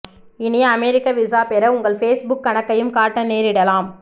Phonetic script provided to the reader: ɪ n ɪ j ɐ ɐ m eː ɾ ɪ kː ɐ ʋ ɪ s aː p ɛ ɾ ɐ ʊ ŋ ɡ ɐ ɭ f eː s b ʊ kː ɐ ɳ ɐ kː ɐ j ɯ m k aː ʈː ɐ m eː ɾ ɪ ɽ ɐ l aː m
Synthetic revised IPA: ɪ n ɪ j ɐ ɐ m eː ɾ ɪ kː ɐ ʋ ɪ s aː p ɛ ɾ ɐ ʊ ŋ ɡ ɐ ɭ f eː s b ʊ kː ɐ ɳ ɐ kː ɐ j ɯ m k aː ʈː ɐ n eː ɾ ɪ ɽ ɐ l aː m